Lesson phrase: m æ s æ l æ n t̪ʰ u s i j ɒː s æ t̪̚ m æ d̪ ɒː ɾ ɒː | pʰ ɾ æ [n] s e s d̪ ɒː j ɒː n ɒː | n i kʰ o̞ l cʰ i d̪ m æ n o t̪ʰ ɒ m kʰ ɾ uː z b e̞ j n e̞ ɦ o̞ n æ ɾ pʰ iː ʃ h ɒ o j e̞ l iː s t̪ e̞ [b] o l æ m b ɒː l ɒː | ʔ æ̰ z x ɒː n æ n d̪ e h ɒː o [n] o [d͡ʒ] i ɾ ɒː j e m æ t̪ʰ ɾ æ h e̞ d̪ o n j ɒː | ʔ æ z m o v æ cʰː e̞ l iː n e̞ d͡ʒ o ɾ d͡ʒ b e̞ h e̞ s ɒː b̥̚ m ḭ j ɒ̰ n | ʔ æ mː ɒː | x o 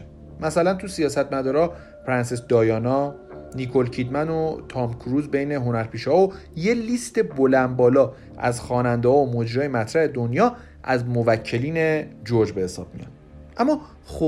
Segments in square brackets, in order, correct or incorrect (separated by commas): correct, correct, incorrect, correct